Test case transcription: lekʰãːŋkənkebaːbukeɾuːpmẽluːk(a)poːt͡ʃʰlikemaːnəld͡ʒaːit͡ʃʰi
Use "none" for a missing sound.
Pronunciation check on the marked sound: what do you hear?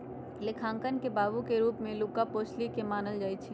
a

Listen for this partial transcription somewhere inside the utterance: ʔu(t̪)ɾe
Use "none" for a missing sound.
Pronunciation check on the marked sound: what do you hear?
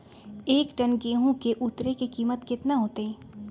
t̪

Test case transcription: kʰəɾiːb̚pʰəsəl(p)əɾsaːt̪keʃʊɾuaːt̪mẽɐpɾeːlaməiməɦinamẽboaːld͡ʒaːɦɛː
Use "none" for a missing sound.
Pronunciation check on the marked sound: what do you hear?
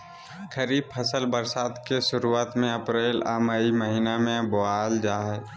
b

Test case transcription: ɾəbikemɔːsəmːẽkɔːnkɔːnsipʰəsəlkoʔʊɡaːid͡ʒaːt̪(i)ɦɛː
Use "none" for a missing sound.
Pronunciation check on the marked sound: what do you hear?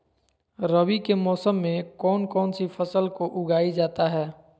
a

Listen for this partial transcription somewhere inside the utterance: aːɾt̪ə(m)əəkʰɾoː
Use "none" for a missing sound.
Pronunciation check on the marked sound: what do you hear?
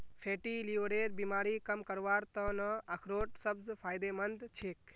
n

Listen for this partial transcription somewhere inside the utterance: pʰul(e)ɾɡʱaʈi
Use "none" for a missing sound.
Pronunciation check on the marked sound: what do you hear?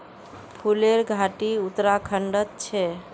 e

